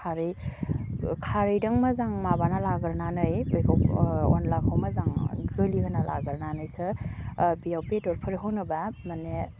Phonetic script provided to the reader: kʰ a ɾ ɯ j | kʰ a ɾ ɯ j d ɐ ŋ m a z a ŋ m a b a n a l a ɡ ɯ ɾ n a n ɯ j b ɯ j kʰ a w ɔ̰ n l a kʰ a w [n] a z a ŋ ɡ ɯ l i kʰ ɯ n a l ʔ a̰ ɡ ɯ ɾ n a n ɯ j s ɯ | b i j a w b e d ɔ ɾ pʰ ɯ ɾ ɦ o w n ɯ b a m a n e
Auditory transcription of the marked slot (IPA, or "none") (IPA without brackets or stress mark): m